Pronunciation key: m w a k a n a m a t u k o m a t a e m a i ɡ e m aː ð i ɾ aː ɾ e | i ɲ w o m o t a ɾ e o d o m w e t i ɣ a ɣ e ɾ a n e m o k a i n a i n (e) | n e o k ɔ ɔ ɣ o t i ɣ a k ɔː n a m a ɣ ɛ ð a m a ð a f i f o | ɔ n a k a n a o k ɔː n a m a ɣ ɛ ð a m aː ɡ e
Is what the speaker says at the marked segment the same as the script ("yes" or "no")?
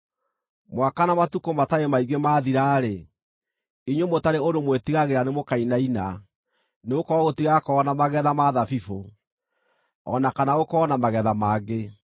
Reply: no